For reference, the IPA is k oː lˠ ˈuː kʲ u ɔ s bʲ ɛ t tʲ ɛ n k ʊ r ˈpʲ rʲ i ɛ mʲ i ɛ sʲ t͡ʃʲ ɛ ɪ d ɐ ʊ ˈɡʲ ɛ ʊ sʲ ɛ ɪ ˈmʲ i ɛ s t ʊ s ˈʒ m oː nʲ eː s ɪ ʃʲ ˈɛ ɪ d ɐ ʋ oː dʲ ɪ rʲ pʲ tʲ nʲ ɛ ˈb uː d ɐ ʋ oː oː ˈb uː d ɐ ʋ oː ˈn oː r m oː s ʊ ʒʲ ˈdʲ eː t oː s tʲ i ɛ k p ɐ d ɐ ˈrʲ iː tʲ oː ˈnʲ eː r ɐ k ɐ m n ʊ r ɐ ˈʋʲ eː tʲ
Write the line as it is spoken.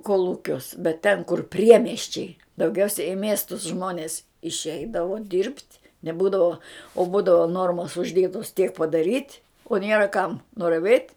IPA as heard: k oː lˠ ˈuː kʲ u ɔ s bʲ ɛ t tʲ ɛ n k ʊ r ˈpʲ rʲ i ɛ mʲ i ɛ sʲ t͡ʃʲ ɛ ɪ d ɐ ʊ ˈɡʲ ɛ ʊ sʲ ɛ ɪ ˈmʲ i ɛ s t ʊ s ˈʒ m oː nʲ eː s ɪ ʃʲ ˈɛ ɪ d ɐ ʋ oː dʲ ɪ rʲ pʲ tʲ nʲ ɛ ˈb uː d ɐ ʋ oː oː ˈb uː d ɐ ʋ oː ˈn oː r m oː s ʊ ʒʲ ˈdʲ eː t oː s tʲ i ɛ k p ɐ d ɐ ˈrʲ iː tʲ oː ˈnʲ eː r ɐ k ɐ m n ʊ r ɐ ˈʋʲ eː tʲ

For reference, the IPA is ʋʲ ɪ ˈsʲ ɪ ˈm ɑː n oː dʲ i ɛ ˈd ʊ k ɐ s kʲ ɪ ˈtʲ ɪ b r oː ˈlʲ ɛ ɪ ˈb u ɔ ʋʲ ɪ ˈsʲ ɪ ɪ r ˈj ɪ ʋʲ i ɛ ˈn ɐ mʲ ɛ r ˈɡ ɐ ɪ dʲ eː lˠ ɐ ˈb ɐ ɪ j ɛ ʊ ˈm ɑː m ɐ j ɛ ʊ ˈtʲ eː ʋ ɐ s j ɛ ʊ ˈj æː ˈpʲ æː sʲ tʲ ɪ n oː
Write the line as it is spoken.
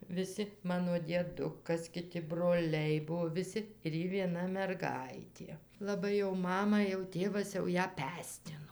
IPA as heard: ʋʲ ɪ ˈsʲ ɪ ˈm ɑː n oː dʲ i ɛ ˈd ʊ k ɐ s kʲ ɪ ˈtʲ ɪ b r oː ˈlʲ ɛ ɪ ˈb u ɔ ʋʲ ɪ ˈsʲ ɪ ɪ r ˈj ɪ ʋʲ i ɛ ˈn ɐ mʲ ɛ r ˈɡ ɐ ɪ tʲ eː lˠ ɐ ˈb ɐ ɪ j ɛ ʊ ˈm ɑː m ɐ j ɛ ʊ ˈtʲ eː ʋ ɐ s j ɛ ʊ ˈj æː ˈpʲ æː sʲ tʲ ɪ n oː

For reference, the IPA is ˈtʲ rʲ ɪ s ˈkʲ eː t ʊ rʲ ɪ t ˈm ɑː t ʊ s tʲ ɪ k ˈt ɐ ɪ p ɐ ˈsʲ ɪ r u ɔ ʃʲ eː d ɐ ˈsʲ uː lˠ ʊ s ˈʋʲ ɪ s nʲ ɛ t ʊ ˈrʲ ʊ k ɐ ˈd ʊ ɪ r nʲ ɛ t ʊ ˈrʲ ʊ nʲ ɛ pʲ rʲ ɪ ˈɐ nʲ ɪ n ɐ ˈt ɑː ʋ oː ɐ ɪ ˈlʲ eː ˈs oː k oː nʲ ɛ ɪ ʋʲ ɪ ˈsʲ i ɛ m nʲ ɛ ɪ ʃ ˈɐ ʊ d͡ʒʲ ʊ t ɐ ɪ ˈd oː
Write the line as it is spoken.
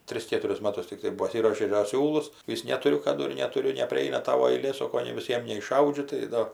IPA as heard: ˈtʲ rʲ ɪ s ˈkʲ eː t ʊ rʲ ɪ s ˈm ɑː t ʊ s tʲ ɪ k ˈt ɐ ɪ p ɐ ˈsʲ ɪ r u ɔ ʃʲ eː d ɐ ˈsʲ uː lˠ ʊ s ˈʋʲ ɪ s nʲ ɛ t ʊ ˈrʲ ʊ k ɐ ˈd ʊ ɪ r nʲ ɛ t ʊ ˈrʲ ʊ nʲ ɛ pʲ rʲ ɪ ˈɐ ɪ n ɐ ˈt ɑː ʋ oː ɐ ɪ ˈlʲ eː ˈs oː k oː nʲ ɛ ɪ ʋʲ ɪ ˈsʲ i ɛ m nʲ ɛ ɪ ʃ ˈɐ ʊ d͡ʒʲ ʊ t ɐ ɪ ˈd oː

